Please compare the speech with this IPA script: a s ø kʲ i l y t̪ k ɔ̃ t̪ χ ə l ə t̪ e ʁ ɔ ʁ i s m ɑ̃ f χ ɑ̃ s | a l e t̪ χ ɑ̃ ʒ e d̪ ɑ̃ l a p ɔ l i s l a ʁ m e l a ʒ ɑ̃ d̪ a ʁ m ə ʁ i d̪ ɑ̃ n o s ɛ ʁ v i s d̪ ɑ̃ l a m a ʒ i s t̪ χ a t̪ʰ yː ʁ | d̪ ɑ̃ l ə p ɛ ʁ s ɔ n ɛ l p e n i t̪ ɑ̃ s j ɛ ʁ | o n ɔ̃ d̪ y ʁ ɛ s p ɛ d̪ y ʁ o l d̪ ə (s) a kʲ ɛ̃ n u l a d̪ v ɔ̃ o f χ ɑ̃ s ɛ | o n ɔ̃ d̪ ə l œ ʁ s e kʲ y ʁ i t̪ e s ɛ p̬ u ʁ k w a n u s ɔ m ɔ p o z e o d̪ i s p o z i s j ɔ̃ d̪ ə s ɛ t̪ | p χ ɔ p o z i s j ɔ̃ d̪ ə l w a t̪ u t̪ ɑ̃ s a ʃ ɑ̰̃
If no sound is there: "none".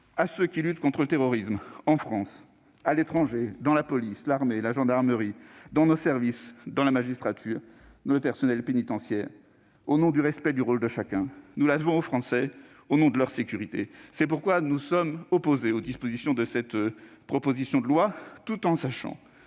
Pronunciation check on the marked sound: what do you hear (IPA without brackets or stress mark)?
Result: ʃ